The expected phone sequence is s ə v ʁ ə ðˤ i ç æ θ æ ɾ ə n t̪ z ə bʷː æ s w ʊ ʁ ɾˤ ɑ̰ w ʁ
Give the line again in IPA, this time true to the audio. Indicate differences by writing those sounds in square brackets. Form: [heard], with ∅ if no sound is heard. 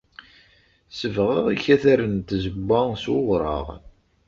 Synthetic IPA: s ə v ʁ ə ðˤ i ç æ θ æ ɾ ə n t̪ z ə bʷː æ s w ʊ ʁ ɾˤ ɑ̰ [∅] ʁ